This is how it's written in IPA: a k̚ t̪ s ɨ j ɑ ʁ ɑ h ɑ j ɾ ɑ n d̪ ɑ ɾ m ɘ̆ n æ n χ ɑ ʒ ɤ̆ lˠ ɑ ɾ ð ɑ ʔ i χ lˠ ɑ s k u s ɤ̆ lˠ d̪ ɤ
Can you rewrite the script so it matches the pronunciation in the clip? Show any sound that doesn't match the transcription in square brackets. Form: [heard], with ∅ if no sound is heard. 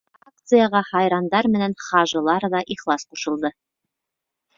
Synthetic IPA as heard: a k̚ t̪ s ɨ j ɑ ʁ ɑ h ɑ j ɾ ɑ n d̪ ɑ ɾ m ɘ̆ n æ n χ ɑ ʒ ɤ̆ lˠ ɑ ɾ ð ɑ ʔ i χ lˠ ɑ s [q] u [ʃ] ɤ̆ lˠ d̪ ɤ